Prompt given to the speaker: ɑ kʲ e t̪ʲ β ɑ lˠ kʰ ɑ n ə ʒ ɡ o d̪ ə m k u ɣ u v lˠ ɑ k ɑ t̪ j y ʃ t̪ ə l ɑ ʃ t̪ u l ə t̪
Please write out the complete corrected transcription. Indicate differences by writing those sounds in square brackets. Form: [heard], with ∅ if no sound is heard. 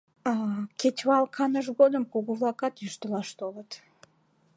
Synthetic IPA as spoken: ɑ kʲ e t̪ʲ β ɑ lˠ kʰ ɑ n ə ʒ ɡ o d̪ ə m k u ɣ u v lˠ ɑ k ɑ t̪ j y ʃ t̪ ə l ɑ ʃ t̪ [o] l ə t̪